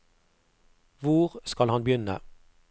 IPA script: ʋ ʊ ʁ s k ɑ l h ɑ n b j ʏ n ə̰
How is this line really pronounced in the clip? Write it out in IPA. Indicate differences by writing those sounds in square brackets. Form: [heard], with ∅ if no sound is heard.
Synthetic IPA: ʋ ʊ ʁ s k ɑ l h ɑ n b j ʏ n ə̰

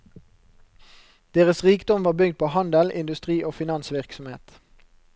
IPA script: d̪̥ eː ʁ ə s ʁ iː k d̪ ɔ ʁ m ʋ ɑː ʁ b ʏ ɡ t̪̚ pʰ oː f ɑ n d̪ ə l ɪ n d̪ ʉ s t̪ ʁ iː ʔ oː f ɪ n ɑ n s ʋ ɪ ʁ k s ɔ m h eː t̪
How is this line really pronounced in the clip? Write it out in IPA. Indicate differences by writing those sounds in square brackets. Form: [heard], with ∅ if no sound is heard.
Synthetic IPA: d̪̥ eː ʁ ə s ʁ iː k d̪ ɔ [∅] m ʋ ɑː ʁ b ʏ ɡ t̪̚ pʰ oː [h] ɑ n d̪ ə l ɪ n d̪ ʉ s t̪ ʁ iː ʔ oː f ɪ n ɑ n s ʋ ɪ ʁ k s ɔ m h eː t̪

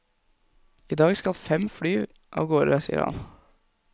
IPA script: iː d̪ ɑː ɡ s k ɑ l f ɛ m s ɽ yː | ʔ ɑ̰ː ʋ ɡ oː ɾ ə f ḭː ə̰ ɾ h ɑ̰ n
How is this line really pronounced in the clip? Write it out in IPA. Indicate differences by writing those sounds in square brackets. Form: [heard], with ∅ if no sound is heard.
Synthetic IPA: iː d̪ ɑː ɡ s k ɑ l f ɛ m [f] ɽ yː | ʔ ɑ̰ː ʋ ɡ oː ɾ ə [s] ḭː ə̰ ɾ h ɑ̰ n

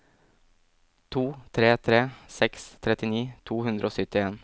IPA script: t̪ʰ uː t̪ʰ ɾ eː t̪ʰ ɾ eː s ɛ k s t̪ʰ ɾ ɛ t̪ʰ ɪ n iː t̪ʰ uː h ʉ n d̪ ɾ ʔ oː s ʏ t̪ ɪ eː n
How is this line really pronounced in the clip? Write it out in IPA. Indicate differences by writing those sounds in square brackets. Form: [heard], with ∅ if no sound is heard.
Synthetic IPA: t̪ʰ uː t̪ʰ ɾ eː t̪ʰ ɾ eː s ɛ k s t̪ʰ ɾ ɛ [t̪] ɪ n iː t̪ʰ uː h ʉ n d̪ ɾ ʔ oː s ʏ t̪ ɪ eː n

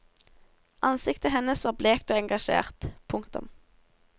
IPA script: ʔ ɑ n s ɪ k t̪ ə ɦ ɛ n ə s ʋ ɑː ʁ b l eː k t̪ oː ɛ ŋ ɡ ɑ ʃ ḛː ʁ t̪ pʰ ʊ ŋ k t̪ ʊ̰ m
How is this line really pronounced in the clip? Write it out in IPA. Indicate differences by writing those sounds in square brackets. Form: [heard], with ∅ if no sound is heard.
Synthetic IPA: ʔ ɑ n s ɪ k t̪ ə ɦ ɛ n ə s ʋ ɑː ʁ b l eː k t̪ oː ɛ ŋ ɡ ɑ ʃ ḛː ʁ t̪ pʰ ʊ ŋ k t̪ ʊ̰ m

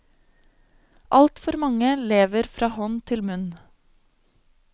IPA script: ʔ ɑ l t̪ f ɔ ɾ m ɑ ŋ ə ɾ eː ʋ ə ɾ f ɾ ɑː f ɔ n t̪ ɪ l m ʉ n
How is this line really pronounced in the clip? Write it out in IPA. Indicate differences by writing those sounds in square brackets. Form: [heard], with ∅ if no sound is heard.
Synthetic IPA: ʔ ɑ l t̪ f ɔ ɾ m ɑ ŋ ə [l] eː ʋ ə ɾ f ɾ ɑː [h] ɔ n [t̪ʰ] ɪ l m ʉ n

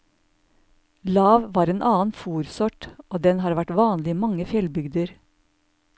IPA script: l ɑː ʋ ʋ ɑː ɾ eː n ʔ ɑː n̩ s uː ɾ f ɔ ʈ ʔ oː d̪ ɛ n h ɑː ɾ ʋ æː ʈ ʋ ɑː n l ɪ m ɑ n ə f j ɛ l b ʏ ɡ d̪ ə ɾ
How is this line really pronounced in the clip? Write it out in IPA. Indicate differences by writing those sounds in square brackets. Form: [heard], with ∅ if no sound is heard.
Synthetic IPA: l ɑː ʋ ʋ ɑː ɾ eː n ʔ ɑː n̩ [f] uː ɾ [s] ɔ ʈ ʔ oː d̪ ɛ n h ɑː ɾ ʋ [æ] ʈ ʋ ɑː n l ɪ m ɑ [ŋ] ə f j ɛ l b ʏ ɡ d̪ ə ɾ

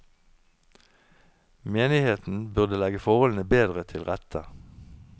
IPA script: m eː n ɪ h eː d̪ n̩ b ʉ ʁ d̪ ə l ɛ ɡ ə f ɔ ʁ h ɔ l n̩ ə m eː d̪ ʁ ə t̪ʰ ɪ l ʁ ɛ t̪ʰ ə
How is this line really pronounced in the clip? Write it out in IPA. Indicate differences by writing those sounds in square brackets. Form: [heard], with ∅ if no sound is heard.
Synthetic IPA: m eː n ɪ h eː [t̪] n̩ b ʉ ʁ d̪ ə l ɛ ɡ ə f ɔ ʁ h ɔ l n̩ ə [b] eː d̪ ʁ ə t̪ʰ ɪ l ʁ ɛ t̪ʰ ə

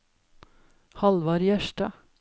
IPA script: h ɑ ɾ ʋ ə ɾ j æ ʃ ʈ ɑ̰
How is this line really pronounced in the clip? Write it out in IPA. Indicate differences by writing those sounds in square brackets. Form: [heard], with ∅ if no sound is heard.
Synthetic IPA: h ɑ [l] ʋ [ɑ] ɾ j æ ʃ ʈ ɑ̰

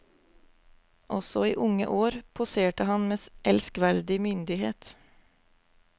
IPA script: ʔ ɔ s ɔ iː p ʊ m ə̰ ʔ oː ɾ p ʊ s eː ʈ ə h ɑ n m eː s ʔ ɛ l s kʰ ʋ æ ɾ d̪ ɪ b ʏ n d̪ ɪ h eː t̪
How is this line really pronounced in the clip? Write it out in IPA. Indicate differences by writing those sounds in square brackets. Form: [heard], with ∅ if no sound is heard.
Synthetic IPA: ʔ ɔ s ɔ iː [ʔ] ʊ [ŋ] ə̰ ʔ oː ɾ [pʰ] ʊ s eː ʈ ə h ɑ n m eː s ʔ ɛ l s [k] ʋ æ ɾ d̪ ɪ [m] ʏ n d̪ ɪ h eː t̪

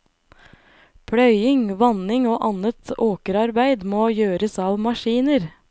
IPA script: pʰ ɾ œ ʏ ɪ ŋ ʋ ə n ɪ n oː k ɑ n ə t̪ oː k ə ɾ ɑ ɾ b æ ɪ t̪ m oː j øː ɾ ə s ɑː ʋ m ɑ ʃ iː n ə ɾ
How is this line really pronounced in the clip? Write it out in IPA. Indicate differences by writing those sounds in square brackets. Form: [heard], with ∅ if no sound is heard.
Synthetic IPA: pʰ [ɽ] œ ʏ ɪ ŋ ʋ [ɑ] n ɪ [ŋ] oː [ʔ] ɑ n ə t̪ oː k ə ɾ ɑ ɾ b æ ɪ [d̪] m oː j øː ɾ ə s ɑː ʋ m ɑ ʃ iː n ə ɾ

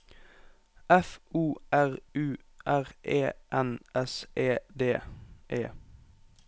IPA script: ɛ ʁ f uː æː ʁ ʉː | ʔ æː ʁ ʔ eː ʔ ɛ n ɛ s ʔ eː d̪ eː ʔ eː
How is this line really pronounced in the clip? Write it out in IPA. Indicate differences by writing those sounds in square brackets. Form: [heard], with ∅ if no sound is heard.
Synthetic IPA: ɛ [∅] f uː [æ] ʁ ʉː | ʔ [æ] ʁ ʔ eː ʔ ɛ n ɛ s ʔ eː d̪ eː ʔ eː

